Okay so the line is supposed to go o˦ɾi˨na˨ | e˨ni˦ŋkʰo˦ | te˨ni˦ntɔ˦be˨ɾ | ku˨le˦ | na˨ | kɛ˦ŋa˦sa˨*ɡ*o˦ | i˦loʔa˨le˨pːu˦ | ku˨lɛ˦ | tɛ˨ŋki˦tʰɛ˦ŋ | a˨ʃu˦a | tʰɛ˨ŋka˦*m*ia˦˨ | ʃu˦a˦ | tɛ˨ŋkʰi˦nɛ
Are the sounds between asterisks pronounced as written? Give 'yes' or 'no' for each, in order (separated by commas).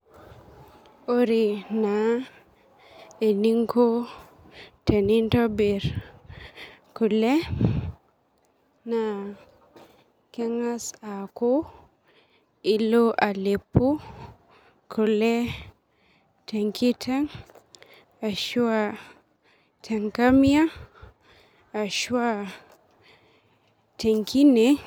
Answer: no, yes